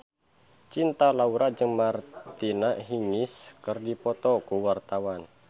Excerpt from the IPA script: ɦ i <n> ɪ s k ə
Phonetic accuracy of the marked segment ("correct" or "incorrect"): incorrect